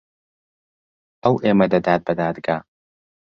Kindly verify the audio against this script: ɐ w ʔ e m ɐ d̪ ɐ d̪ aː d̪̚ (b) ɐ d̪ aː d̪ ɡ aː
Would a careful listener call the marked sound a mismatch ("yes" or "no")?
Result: no